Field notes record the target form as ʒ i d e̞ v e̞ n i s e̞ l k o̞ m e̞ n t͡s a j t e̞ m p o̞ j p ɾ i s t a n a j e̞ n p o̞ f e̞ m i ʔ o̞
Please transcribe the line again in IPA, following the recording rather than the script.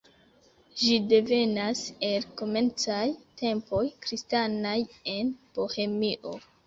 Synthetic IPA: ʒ i d e̞ v e̞ n a s e̞ l k o̞ m e̞ n t͡s a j t e̞ m p o̞ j k ɾ i s t a n a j e̞ n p o̞ h e̞ m i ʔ o̞